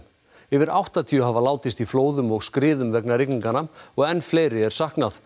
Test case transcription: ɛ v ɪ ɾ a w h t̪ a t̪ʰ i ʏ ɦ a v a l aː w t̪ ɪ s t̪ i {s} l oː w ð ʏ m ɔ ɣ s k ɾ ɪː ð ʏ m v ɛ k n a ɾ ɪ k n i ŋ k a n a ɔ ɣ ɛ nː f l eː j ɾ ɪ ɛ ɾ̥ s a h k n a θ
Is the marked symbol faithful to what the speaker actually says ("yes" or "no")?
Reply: no